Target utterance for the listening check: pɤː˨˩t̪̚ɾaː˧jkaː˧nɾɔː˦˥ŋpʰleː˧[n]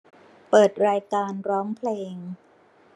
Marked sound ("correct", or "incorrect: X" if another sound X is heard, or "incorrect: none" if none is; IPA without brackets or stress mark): incorrect: ŋ